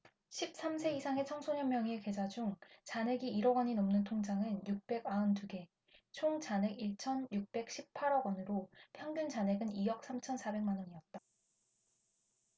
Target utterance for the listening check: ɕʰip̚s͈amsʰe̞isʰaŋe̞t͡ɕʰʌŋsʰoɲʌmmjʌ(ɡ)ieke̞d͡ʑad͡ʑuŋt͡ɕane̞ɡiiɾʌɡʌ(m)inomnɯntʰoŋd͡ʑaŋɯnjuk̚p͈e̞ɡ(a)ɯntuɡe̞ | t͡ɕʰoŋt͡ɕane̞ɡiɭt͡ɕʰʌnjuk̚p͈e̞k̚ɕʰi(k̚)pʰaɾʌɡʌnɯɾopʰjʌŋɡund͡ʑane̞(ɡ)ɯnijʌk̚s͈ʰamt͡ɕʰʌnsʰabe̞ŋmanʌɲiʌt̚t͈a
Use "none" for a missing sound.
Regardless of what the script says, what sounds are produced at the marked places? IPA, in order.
ŋ, ɲ, a, p̚, ɡ

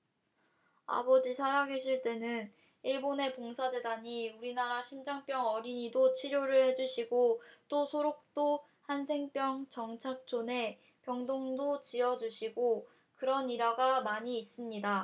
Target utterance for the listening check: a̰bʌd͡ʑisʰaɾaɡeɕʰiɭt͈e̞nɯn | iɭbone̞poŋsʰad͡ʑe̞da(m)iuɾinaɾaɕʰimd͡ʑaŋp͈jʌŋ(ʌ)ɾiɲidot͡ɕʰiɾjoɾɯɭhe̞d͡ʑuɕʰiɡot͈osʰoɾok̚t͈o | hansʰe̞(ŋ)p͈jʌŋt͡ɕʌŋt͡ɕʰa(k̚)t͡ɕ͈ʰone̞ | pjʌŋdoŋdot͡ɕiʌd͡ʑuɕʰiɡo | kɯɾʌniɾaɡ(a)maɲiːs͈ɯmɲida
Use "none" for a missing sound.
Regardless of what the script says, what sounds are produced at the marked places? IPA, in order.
ɲ, ʌ, ŋ, k̚, a

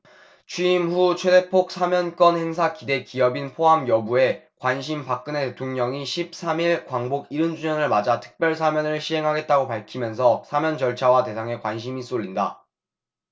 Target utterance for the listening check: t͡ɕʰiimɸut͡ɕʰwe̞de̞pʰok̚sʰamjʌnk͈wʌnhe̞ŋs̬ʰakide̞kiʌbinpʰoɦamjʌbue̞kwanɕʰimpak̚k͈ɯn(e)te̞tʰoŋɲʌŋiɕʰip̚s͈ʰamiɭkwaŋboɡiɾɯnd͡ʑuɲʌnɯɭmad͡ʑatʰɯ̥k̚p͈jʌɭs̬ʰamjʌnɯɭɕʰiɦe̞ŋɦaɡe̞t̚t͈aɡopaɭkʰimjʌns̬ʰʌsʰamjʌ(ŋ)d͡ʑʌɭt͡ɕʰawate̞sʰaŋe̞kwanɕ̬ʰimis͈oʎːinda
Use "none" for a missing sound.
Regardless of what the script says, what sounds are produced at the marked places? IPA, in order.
e, n

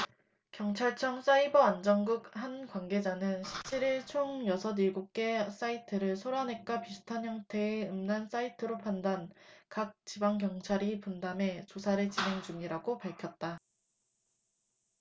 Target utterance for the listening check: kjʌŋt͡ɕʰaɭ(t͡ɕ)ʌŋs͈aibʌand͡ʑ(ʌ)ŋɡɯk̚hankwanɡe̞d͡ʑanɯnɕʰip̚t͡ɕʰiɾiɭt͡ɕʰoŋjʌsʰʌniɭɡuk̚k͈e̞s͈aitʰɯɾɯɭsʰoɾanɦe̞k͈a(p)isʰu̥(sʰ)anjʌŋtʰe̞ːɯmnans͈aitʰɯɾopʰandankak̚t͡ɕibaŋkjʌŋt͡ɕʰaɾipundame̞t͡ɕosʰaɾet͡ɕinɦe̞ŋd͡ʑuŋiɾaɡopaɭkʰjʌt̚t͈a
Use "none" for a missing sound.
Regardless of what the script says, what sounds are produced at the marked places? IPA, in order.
t͡ɕʰ, ʌ, p, tʰ

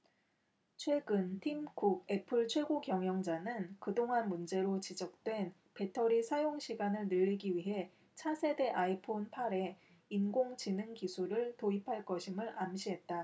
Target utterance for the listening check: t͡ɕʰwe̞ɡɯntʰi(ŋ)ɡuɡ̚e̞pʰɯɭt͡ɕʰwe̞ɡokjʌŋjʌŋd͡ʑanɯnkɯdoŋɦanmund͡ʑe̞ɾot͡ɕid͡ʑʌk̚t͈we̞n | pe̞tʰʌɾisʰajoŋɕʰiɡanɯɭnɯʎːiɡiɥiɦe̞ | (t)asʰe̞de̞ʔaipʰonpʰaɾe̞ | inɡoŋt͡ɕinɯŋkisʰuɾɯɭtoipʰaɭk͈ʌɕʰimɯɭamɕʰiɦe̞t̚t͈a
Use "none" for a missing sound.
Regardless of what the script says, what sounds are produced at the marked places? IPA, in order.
m, t͡ɕʰ

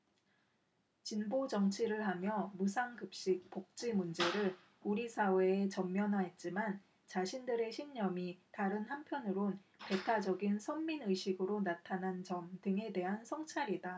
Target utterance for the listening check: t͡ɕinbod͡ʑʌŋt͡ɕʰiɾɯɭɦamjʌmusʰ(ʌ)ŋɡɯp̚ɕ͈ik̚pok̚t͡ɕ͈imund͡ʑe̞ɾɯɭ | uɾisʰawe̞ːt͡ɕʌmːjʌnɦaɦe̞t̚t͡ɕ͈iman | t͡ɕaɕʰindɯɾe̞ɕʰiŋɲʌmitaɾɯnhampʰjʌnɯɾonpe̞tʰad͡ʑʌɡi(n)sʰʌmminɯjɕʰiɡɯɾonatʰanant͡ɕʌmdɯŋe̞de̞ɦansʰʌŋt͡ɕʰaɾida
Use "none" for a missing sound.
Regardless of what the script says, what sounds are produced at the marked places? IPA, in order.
a, n

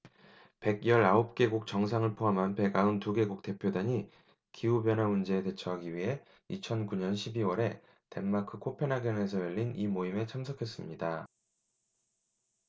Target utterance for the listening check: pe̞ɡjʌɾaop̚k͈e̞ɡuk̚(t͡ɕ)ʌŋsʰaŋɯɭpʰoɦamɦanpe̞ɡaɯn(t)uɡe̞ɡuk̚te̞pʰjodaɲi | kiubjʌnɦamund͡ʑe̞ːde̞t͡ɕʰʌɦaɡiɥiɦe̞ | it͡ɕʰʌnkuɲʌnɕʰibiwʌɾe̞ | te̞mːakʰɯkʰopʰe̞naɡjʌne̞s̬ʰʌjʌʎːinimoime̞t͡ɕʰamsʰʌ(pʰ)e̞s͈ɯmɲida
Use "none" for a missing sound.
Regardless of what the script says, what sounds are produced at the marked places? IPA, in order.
t͡ɕ, t, kʰ

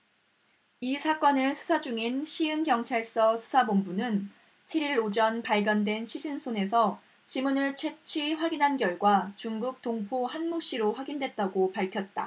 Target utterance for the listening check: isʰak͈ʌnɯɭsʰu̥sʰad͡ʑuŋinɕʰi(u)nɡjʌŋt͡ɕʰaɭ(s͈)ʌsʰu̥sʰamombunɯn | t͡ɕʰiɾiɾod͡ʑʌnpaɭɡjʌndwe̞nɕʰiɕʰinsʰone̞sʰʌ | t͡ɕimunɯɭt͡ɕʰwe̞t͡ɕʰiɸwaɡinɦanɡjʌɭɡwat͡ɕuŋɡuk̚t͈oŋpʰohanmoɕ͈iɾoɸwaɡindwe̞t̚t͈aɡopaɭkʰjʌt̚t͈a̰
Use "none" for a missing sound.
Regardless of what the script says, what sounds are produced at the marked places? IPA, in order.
ɯ, s͈

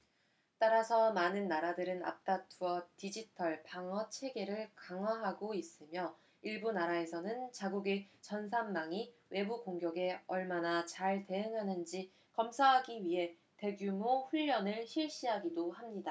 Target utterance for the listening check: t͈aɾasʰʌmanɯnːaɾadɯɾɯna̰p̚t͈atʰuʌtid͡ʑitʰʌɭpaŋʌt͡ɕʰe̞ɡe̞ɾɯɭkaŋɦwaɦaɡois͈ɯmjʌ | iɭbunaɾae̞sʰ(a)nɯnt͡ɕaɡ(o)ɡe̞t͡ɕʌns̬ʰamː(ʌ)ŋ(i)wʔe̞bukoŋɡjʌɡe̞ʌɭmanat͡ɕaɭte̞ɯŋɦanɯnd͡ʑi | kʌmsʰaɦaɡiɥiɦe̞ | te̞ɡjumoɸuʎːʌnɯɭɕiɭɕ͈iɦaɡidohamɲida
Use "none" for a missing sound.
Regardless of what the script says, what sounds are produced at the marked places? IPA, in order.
ʌ, u, a, i

